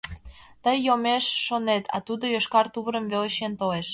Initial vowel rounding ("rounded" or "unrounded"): unrounded